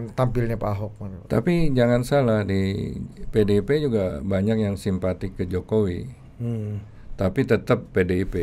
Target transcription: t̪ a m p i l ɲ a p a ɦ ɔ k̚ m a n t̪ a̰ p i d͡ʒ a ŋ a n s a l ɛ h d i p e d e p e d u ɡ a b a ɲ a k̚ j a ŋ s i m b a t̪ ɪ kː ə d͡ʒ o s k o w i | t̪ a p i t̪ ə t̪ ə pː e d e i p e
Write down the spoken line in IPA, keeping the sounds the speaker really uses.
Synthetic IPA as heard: t̪ a m p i l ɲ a p a ɦ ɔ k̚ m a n t̪ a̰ p i d͡ʒ a ŋ a n s a l a h d i p e d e p e d͡ʒ u ɡ a b a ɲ a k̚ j a ŋ s i m p a t̪ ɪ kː ə d͡ʒ o k o w i | t̪ a p i t̪ ə t̪ ə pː e d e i p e